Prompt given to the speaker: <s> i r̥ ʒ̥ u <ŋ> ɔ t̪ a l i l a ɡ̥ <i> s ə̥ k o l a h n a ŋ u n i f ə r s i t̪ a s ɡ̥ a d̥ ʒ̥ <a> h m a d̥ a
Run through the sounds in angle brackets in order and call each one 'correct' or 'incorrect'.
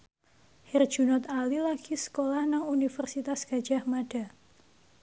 incorrect: h, incorrect: n, correct, correct

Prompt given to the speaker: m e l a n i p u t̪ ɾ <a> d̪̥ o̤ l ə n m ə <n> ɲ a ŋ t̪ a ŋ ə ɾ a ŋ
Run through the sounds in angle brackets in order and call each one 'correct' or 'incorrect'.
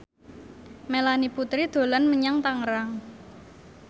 incorrect: i, incorrect: none

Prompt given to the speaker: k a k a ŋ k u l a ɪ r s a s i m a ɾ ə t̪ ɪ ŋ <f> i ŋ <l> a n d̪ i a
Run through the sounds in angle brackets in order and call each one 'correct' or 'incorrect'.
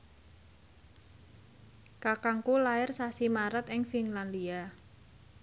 correct, correct

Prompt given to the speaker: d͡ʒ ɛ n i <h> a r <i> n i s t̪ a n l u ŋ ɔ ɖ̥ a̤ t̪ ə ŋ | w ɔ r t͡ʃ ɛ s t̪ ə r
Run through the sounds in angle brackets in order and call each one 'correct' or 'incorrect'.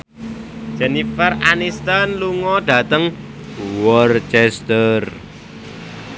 incorrect: f, incorrect: a

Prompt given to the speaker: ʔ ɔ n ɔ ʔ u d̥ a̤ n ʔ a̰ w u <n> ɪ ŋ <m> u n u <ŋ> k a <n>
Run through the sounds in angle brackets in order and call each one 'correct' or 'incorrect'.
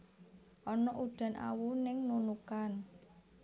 correct, incorrect: n, incorrect: none, correct

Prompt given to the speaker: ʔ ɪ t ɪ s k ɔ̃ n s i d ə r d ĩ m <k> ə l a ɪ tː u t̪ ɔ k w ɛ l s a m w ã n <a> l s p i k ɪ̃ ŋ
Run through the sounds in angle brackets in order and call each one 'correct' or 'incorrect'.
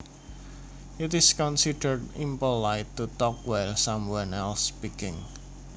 incorrect: p, incorrect: ɛ

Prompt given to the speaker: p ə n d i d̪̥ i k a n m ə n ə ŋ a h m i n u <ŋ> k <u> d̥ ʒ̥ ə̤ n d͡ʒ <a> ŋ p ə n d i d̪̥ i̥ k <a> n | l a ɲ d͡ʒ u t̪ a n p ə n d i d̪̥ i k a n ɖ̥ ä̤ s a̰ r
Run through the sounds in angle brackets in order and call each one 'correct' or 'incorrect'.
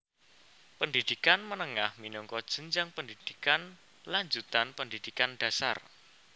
correct, incorrect: ɔ, correct, correct

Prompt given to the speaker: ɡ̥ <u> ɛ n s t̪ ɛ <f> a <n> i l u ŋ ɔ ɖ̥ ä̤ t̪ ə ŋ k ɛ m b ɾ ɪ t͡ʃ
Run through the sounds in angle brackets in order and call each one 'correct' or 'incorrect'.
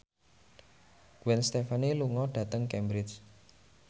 incorrect: w, correct, correct

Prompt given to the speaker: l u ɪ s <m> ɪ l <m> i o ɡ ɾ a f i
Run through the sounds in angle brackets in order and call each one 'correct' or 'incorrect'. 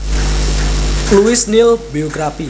incorrect: n, incorrect: b

